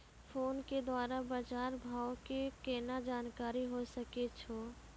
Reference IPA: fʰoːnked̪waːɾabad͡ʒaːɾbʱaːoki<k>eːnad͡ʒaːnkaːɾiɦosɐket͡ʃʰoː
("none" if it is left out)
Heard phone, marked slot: k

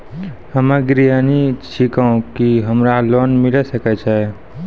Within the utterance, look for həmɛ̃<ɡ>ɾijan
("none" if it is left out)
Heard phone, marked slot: ɡ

